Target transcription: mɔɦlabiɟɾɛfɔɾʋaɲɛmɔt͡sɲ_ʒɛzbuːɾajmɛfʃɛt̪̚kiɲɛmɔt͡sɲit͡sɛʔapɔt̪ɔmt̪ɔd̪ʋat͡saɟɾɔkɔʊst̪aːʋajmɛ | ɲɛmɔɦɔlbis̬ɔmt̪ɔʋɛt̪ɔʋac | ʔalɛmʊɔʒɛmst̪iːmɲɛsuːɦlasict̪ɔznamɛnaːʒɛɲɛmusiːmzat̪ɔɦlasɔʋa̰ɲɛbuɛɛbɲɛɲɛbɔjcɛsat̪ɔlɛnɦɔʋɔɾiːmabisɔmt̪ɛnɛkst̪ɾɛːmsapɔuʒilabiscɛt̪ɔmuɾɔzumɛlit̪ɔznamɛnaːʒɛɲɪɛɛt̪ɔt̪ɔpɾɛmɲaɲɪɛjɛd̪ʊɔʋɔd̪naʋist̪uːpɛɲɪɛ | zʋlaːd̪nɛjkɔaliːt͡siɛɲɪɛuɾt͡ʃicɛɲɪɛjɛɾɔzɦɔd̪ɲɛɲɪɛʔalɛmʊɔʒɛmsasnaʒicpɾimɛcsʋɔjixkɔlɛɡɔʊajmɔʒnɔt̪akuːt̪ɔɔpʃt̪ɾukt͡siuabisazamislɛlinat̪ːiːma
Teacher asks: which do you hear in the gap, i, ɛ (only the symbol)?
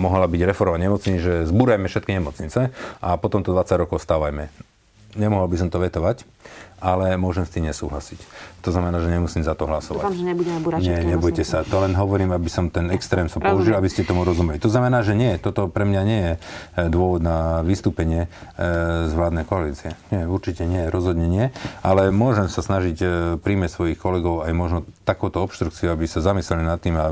i